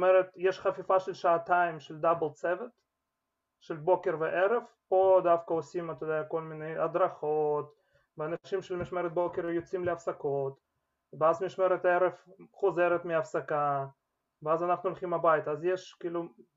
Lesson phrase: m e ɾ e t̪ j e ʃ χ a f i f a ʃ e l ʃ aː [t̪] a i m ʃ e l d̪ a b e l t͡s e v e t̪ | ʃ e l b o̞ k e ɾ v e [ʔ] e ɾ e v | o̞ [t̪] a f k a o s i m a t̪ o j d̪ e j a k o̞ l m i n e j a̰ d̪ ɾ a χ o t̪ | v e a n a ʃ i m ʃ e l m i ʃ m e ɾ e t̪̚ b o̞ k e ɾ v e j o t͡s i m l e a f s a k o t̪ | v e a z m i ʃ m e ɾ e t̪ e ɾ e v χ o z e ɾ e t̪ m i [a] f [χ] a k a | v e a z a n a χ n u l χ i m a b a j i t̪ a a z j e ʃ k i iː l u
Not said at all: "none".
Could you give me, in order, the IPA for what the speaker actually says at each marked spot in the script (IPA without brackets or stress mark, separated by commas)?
t̪, ʔ, d̪, a, s